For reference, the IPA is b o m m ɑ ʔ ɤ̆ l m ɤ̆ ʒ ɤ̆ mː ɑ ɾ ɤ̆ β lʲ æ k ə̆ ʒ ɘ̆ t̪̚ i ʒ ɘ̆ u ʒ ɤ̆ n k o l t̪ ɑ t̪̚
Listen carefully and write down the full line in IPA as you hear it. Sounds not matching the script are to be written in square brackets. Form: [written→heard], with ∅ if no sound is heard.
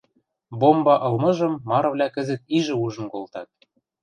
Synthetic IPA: b o m [m→b] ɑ ʔ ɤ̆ l m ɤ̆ ʒ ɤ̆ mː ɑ ɾ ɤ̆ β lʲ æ k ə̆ [ʒ→z] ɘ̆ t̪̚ i ʒ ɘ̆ u ʒ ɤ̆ n k o l t̪ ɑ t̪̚